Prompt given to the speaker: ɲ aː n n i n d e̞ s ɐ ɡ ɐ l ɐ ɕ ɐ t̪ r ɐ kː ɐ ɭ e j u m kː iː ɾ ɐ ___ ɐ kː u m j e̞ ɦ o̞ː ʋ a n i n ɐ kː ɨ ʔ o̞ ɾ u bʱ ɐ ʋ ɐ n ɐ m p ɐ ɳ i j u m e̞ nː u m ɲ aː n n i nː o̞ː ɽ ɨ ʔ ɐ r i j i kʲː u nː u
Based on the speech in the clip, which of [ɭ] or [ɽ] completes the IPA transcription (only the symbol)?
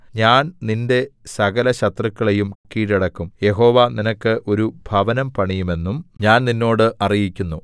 ɽ